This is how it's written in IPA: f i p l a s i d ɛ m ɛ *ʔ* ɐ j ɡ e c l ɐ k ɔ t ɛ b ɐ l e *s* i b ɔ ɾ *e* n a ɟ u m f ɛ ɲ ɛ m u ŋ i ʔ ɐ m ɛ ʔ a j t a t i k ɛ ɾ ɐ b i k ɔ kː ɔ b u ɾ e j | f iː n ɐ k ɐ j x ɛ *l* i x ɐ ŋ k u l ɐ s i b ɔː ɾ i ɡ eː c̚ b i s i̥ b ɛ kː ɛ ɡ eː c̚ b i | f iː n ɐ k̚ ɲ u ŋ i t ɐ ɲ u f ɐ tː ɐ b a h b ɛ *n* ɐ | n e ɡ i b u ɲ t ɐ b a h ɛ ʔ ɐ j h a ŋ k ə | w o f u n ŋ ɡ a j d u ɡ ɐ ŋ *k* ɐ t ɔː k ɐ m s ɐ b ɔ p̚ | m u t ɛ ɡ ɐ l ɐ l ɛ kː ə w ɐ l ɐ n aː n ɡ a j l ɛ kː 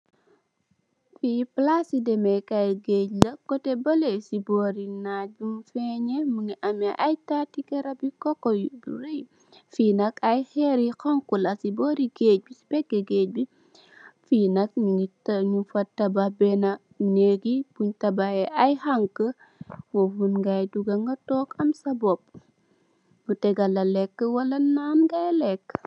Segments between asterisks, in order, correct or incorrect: incorrect: k, correct, incorrect: i, incorrect: ɾ, correct, incorrect: ɡ

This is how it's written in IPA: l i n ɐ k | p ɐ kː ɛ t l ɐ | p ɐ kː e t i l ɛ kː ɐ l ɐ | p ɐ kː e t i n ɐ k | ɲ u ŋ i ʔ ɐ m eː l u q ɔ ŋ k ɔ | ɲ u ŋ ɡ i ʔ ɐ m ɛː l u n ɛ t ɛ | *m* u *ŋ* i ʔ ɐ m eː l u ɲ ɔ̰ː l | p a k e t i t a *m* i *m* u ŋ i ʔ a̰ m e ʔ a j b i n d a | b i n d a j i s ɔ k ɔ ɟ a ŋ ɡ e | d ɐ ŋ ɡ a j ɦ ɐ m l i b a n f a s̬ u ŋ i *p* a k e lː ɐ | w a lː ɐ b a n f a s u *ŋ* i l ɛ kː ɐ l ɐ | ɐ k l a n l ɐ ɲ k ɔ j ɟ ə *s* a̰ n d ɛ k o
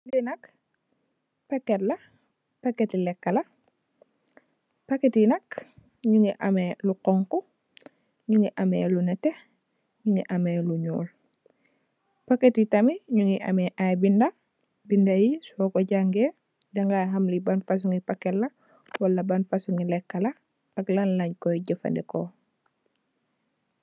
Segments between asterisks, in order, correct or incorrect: incorrect: ɲ, correct, correct, incorrect: ɲ, correct, correct, incorrect: f

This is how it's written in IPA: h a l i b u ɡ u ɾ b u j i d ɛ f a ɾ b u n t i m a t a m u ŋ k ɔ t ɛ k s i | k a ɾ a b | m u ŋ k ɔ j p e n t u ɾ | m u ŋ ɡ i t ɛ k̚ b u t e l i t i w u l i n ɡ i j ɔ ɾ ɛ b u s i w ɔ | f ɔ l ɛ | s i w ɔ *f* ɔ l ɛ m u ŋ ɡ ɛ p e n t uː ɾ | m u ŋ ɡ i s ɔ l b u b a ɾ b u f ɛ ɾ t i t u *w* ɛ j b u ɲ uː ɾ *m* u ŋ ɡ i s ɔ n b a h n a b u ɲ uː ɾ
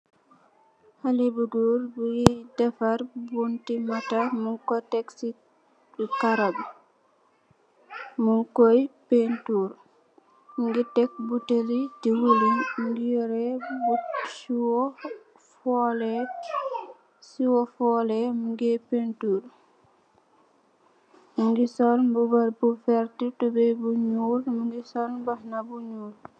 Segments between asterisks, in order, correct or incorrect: correct, incorrect: b, correct

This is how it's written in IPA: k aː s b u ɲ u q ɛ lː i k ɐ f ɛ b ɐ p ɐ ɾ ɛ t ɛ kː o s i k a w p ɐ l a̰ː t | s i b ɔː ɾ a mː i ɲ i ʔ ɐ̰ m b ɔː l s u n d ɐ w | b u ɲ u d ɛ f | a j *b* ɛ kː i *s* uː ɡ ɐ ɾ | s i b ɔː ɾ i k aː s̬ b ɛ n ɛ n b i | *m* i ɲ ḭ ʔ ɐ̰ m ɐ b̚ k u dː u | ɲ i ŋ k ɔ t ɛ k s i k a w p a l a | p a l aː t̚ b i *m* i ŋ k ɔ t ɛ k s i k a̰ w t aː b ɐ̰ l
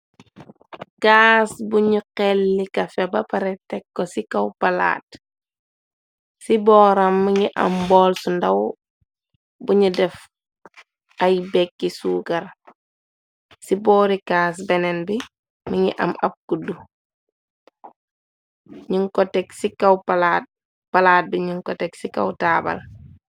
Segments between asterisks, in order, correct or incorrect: correct, correct, correct, incorrect: ɲ

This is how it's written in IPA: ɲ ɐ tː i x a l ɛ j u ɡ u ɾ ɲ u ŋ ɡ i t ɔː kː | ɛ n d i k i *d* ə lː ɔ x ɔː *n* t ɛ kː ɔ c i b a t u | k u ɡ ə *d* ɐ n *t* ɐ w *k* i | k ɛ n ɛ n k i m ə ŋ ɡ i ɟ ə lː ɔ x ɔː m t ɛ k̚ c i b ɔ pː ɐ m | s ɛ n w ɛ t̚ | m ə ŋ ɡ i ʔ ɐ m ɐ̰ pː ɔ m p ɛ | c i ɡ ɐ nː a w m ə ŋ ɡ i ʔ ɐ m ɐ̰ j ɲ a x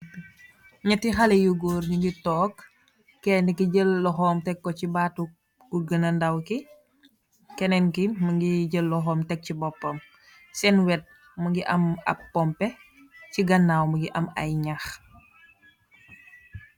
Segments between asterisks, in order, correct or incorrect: incorrect: ɟ, incorrect: m, incorrect: n, incorrect: d, correct

